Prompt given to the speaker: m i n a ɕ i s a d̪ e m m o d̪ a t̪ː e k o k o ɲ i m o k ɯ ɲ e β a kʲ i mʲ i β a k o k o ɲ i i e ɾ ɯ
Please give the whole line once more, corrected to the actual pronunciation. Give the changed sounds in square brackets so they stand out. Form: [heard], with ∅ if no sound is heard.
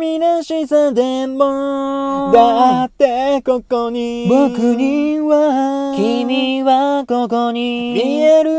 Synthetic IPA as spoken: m i n a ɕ i s a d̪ e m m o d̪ a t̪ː e k o k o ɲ i [b] o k ɯ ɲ [i] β a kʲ i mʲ i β a k o k o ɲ i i e ɾ ɯ

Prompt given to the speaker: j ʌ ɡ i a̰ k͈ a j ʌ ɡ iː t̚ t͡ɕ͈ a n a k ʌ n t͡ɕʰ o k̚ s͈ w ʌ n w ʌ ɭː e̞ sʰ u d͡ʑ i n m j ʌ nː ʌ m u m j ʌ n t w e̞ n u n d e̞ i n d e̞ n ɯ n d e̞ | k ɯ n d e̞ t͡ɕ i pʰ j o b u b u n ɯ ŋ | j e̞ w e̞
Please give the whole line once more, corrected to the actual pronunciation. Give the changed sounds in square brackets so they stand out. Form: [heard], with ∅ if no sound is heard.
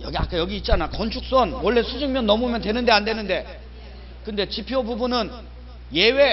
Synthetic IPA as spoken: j ʌ ɡ i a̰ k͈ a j ʌ ɡ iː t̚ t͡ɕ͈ a n a k ʌ n t͡ɕʰ [u] k̚ s͈ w ʌ n w ʌ ɭː e̞ sʰ u d͡ʑ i [ŋ] m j ʌ nː ʌ m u m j ʌ n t w e̞ n [ɯ] n d e̞ [a] n d e̞ n ɯ n d e̞ | k ɯ n d e̞ t͡ɕ i pʰ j o b u b u n ɯ [n] | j e̞ w e̞

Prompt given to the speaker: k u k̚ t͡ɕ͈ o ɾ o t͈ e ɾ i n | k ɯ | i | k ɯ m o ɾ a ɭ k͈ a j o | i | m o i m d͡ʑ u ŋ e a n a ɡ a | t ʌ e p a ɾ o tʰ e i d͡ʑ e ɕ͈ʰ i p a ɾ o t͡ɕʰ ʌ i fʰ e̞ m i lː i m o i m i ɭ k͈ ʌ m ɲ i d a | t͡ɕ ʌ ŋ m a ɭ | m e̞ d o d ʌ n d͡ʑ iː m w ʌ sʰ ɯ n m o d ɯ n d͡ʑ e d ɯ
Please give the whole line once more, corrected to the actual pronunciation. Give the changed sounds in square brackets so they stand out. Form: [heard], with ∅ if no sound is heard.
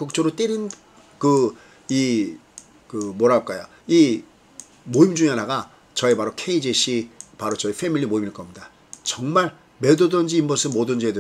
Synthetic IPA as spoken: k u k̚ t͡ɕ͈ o ɾ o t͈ e ɾ i n | k ɯ | i | k ɯ m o ɾ a ɭ k͈ a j o | i | m o i m d͡ʑ u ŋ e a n a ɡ a | [t͡ɕ] ʌ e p a ɾ o [kʰ] e i d͡ʑ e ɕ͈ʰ i p a ɾ o [t͡ɕ] ʌ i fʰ e̞ m i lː i m o i m i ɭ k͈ ʌ m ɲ i d a | t͡ɕ ʌ ŋ m a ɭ | m e̞ d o d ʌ n d͡ʑ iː m [b] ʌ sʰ ɯ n m o d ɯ n d͡ʑ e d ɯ

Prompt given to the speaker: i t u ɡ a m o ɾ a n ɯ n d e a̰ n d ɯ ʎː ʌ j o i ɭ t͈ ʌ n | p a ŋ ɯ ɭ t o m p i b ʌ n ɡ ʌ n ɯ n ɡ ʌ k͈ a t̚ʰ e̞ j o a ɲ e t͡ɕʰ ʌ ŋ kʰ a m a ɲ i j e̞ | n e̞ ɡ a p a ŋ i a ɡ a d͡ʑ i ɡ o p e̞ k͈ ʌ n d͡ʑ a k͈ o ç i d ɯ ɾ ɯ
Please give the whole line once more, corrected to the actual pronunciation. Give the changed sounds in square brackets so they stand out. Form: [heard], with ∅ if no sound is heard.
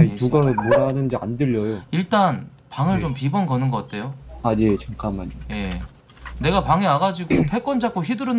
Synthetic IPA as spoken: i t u ɡ a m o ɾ a n ɯ n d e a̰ n d ɯ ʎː ʌ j o i ɭ t͈ [a] n | p a ŋ ɯ ɭ [t͡ɕ] o m p i b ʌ n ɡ ʌ n ɯ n ɡ ʌ k͈ a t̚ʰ e̞ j o a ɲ e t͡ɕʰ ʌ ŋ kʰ a m a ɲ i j e̞ | n e̞ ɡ a p a ŋ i a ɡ a d͡ʑ i ɡ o [pʰ] e̞ k͈ ʌ n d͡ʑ a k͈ o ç i d ɯ ɾ ɯ

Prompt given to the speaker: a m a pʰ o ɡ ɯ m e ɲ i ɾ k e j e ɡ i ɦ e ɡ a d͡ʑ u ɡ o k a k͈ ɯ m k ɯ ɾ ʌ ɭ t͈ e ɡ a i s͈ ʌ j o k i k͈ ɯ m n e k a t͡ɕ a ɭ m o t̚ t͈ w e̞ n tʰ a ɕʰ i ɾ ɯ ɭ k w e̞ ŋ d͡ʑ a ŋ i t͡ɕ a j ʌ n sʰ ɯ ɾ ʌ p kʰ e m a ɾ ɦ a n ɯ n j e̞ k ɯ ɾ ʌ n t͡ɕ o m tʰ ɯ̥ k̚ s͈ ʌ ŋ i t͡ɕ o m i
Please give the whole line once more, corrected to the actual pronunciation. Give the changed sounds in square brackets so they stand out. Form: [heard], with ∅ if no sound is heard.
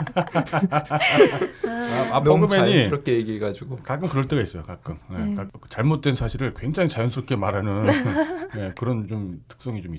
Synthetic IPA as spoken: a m a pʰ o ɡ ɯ m e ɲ i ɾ k e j e ɡ i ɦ e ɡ a d͡ʑ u ɡ o k a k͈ ɯ m k ɯ ɾ ʌ ɭ t͈ e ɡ a i s͈ ʌ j o k [a] k͈ ɯ m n e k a t͡ɕ a ɭ m o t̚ t͈ w e̞ n [sʰ] a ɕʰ i ɾ ɯ ɭ k w e̞ ŋ d͡ʑ a ŋ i t͡ɕ a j ʌ n sʰ ɯ ɾ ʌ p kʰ e m a ɾ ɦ a n ɯ n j e̞ k ɯ ɾ ʌ n t͡ɕ o m tʰ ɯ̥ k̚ s͈ ʌ ŋ i t͡ɕ o m i

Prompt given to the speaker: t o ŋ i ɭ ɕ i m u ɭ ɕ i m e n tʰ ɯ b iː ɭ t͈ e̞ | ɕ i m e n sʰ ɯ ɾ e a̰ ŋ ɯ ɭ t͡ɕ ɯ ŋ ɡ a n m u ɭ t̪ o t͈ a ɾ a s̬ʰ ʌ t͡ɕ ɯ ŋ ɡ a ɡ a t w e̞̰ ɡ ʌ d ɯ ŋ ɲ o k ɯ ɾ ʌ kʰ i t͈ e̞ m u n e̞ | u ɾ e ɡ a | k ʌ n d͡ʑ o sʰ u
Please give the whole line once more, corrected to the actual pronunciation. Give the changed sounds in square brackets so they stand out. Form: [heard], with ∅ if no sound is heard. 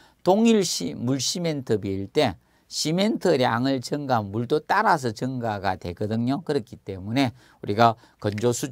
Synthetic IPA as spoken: t o ŋ i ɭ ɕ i m u ɭ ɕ i m e n tʰ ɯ b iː ɭ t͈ e̞ | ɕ i m e n [tʰ] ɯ ɾ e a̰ ŋ ɯ ɭ t͡ɕ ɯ ŋ ɡ a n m u ɭ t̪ o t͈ a ɾ a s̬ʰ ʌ t͡ɕ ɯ ŋ ɡ a ɡ a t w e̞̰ ɡ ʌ d ɯ ŋ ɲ o k ɯ ɾ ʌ kʰ i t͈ e̞ m u n e̞ | u ɾ [i] ɡ a | k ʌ n d͡ʑ o sʰ u

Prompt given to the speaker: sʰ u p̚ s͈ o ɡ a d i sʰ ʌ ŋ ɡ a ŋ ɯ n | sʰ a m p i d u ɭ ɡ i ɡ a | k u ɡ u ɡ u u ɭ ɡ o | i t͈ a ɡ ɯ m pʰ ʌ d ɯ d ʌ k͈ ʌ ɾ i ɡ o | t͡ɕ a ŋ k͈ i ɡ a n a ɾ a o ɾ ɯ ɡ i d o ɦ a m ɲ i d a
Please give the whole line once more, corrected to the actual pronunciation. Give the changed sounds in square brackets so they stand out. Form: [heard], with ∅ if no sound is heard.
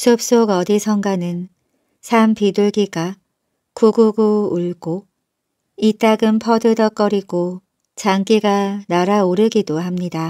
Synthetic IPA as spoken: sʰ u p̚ s͈ o ɡ [ʌ] d i sʰ ʌ ŋ ɡ a [n] ɯ n | sʰ a m p i d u ɭ ɡ i ɡ a | k u ɡ u ɡ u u ɭ ɡ o | i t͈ a ɡ ɯ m pʰ ʌ d ɯ d ʌ k͈ ʌ ɾ i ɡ o | t͡ɕ a ŋ k͈ i ɡ a n a ɾ a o ɾ ɯ ɡ i d o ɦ a m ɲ i d a

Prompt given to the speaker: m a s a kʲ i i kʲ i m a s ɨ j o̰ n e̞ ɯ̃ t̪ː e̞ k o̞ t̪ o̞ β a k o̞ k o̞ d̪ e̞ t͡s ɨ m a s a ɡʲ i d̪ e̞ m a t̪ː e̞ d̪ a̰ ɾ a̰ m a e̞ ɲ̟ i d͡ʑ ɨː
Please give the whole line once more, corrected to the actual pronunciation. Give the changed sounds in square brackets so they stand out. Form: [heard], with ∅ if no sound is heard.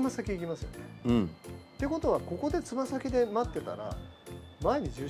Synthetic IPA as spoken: m a s a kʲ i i kʲ i m a s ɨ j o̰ n e̞ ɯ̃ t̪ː e̞ k o̞ t̪ o̞ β a k o̞ k o̞ d̪ e̞ t͡s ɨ m a s a [kʲ] i d̪ e̞ m a t̪ː e̞ [t̪] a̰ ɾ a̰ m a e̞ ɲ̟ i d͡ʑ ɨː

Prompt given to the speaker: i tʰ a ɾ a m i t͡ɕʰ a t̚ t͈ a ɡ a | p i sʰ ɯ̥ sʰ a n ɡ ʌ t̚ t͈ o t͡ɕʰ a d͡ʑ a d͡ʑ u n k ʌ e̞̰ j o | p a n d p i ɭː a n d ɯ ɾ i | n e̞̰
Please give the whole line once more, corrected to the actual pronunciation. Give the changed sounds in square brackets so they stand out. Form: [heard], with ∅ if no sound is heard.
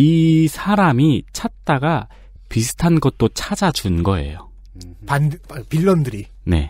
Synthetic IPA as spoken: i [sʰ] a ɾ a m i t͡ɕʰ a t̚ t͈ a ɡ a | p i sʰ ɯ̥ [tʰ] a n ɡ ʌ t̚ t͈ o t͡ɕʰ a d͡ʑ a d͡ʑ u n [ɡ] ʌ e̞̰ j o | p a n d p i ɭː [ʌ] n d ɯ ɾ i | n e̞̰

